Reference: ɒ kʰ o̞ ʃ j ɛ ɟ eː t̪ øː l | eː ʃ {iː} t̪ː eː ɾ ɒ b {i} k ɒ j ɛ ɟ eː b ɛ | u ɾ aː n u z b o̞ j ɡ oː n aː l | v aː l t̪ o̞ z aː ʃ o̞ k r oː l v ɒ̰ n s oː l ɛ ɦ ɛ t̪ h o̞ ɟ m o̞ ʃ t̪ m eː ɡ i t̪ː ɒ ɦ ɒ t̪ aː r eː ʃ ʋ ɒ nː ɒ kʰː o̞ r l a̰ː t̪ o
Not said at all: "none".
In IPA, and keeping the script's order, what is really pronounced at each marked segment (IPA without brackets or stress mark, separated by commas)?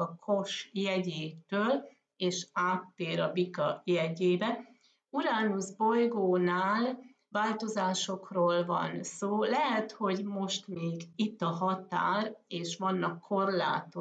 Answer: aː, i